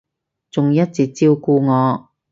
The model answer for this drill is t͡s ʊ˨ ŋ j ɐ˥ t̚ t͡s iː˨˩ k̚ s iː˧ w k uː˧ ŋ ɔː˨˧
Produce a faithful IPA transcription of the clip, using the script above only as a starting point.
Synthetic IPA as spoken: t͡s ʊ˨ ŋ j ɐ˥ t̚ t͡s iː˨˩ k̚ t͡s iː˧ w k uː˧ ŋ ɔː˨˧

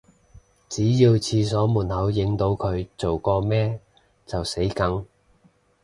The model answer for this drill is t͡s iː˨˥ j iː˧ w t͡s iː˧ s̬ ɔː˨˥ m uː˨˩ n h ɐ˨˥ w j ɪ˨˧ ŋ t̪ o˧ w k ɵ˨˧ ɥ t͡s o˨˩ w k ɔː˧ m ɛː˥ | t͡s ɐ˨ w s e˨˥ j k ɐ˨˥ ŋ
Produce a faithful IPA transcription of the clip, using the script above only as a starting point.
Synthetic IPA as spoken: t͡s iː˨˥ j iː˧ w t͡sʰ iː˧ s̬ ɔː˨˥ m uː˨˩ n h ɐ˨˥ w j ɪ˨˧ ŋ t̪ o˧ w kʰ ɵ˨˧ ɥ t͡s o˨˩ w k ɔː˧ m ɛː˥ | t͡s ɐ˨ w s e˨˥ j k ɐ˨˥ ŋ

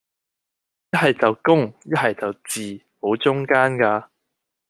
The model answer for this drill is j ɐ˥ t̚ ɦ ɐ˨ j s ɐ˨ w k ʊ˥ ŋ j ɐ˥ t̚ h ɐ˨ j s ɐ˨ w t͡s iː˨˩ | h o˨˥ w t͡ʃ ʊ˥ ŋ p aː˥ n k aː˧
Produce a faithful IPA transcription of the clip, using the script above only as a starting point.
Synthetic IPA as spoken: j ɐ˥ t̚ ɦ ɐ˨ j t͡s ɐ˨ w k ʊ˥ ŋ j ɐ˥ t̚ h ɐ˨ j t͡s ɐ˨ w t͡s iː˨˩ | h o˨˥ w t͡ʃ ʊ˥ ŋ k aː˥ n k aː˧

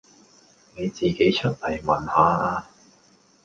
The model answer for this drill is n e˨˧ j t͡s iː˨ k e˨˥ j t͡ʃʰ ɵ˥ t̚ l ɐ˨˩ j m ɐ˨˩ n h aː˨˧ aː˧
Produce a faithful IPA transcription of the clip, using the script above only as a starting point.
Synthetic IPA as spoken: n e˨˧ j t͡s iː˨ k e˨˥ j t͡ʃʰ ɵ˥ t̚ l ɐ˨˩ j m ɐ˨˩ n h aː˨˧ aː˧

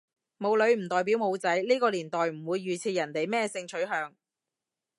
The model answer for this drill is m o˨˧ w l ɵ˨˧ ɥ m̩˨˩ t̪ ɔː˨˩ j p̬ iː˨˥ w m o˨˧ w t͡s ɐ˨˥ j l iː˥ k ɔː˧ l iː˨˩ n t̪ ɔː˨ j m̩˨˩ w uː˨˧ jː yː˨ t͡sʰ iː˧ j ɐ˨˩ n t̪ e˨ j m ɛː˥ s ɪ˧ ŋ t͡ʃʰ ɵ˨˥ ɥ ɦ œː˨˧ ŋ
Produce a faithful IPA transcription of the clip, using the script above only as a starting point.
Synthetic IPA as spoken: m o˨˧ w l ɵ˨˧ ɥ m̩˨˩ t̪ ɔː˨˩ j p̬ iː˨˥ w m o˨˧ w t͡s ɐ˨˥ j l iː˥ k ɔː˧ l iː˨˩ n t̪ ɔː˨ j m̩˨˩ w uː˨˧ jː yː˨ t͡sʰ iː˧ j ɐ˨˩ n t̪ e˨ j m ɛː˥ s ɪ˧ ŋ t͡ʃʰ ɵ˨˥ ɥ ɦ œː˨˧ ŋ

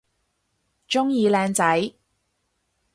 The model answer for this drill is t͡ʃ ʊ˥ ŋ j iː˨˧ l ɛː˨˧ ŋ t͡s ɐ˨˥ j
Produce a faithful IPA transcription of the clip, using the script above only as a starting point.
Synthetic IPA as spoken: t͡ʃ ʊ˥ ŋ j iː˨˧ l ɛː˨˧ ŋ t͡s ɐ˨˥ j

